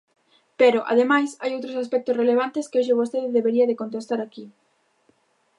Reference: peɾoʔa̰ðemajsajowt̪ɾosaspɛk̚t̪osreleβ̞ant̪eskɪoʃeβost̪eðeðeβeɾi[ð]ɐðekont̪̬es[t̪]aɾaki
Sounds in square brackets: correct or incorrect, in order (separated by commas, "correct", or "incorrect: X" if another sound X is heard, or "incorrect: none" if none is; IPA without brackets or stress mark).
incorrect: none, correct